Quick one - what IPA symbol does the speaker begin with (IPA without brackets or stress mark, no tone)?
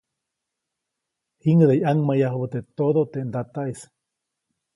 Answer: h